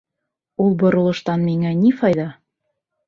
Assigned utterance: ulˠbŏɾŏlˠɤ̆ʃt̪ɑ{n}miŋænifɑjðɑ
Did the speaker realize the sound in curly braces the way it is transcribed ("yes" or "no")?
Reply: yes